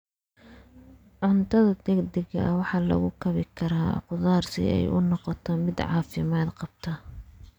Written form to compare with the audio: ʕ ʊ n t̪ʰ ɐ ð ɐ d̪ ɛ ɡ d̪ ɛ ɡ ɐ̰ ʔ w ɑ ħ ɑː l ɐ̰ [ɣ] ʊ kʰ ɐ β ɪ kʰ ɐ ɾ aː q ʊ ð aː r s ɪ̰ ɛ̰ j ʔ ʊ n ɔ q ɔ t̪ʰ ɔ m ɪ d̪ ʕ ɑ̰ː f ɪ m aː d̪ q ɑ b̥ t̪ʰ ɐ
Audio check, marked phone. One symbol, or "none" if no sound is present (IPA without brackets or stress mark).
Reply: ɣ